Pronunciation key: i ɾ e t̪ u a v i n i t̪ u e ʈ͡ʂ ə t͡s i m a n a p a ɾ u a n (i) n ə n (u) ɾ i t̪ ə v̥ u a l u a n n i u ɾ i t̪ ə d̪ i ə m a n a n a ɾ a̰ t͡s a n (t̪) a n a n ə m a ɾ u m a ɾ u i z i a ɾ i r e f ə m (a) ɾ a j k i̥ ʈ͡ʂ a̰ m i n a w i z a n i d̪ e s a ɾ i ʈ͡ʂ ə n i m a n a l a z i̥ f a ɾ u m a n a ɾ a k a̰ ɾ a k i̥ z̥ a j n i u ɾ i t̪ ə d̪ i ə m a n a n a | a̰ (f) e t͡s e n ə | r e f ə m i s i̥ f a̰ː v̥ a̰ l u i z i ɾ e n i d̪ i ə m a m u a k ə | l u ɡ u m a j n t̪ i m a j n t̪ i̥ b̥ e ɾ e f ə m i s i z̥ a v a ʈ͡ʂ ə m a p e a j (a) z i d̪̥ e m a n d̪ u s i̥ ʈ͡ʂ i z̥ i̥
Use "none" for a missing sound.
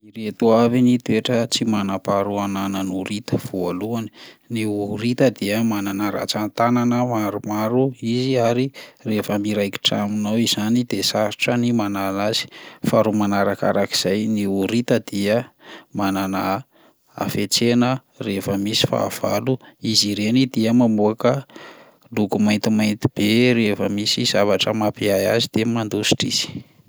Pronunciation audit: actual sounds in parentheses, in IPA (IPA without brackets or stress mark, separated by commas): a, u, t̪, i, f, a